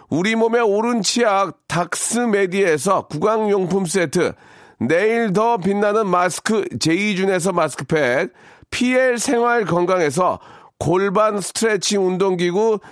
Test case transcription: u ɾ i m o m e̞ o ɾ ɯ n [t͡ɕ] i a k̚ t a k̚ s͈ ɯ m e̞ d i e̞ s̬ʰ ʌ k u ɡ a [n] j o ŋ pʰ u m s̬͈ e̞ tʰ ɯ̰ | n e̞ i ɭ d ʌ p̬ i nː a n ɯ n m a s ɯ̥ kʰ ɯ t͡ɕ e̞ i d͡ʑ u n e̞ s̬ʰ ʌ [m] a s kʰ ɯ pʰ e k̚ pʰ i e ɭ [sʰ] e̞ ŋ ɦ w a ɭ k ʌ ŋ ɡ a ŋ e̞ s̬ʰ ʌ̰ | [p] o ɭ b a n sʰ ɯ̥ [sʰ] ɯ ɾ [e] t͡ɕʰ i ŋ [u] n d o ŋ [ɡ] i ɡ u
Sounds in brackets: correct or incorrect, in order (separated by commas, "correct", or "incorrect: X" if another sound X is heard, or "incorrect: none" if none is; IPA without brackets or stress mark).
incorrect: t͡ɕʰ, incorrect: ŋ, correct, correct, incorrect: k, incorrect: tʰ, correct, correct, correct